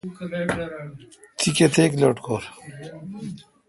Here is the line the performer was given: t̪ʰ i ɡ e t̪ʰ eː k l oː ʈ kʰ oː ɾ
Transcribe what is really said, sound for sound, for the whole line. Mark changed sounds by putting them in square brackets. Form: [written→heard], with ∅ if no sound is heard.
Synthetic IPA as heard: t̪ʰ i [ɡ→k] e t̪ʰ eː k l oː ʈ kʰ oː ɾ